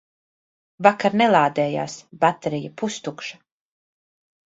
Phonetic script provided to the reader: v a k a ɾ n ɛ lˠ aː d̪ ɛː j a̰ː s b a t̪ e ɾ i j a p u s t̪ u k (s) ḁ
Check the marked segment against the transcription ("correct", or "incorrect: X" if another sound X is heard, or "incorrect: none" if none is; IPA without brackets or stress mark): incorrect: ʃ